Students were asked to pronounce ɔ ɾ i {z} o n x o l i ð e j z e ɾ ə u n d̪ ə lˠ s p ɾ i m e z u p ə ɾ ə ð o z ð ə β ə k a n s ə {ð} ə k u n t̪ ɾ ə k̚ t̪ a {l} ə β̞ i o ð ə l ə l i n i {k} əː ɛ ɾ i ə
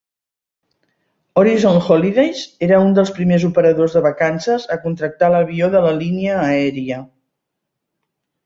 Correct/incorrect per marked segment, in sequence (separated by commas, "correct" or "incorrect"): correct, incorrect, correct, incorrect